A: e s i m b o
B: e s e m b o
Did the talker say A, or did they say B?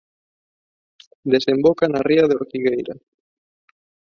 B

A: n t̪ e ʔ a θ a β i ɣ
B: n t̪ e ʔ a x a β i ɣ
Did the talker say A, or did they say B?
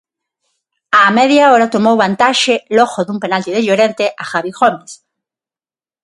B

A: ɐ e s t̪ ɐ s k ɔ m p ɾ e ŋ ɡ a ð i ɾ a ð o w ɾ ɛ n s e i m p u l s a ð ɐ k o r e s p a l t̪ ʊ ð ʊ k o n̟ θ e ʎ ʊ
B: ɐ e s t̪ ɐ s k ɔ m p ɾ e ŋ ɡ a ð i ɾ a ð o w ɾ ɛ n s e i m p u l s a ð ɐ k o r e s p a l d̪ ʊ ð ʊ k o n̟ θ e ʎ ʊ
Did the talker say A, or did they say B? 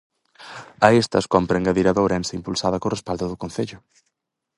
B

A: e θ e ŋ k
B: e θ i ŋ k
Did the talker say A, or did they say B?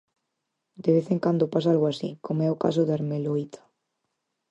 A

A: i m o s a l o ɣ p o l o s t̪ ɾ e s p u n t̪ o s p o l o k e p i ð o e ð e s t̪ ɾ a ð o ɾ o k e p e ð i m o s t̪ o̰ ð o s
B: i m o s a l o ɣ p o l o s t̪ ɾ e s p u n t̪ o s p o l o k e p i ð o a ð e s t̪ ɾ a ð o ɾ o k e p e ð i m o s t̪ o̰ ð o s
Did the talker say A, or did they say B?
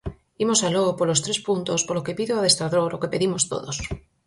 B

